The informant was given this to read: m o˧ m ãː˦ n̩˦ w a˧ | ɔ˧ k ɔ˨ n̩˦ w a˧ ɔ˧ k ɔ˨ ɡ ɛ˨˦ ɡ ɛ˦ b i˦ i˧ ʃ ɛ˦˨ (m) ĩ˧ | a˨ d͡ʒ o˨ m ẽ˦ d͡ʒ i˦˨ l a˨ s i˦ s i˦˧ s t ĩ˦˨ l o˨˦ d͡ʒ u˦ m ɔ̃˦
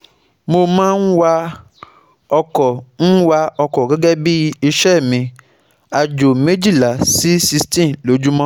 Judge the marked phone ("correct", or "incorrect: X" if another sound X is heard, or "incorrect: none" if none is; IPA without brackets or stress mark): correct